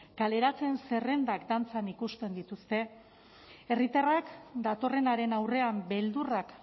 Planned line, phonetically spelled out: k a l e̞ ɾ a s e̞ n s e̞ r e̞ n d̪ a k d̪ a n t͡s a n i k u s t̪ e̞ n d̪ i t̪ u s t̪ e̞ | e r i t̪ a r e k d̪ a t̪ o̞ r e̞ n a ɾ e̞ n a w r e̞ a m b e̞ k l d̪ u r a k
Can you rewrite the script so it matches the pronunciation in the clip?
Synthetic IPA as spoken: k a l e̞ ɾ a t͡s e̞ n s e̞ r e̞ n d̪ a k d̪ a n t͡s a n i k u s t̪ e̞ n d̪ i t̪ u s t̪ e̞ | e r i t̪ a r a k d̪ a t̪ o̞ r e̞ n a ɾ e̞ n a w r e̞ a m b e̞ l d̪ u r a k